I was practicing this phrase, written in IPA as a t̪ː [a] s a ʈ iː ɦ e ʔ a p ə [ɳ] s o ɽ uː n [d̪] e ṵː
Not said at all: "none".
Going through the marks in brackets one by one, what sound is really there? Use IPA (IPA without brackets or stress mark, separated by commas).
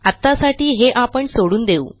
a, ɳ, d̪